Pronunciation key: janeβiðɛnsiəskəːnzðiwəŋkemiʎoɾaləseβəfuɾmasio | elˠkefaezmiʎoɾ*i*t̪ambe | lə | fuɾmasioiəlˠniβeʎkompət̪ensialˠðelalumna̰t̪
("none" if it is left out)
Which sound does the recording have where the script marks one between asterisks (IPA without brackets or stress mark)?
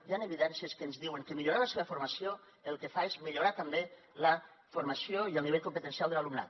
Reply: a